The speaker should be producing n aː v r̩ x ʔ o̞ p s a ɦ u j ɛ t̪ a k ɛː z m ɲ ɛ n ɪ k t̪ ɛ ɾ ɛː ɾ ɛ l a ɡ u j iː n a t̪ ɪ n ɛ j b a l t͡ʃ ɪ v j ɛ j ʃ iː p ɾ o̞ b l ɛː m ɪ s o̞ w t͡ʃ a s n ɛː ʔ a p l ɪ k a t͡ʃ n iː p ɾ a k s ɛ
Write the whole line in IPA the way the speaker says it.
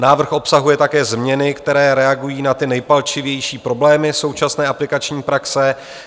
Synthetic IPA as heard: n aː v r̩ x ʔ o̞ p s a ɦ u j ɛ t̪ a k ɛː z m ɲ ɛ n ɪ k t̪ ɛ ɾ ɛː ɾ ɛ a ɡ u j iː n a t̪ ɪ n ɛ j p a l t͡ʃ ɪ v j ɛ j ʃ iː p ɾ o̞ b l ɛː m ɪ s o̞ w t͡ʃ a s n ɛː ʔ a p l ɪ k a t͡ʃ ɲ iː p ɾ a k s ɛ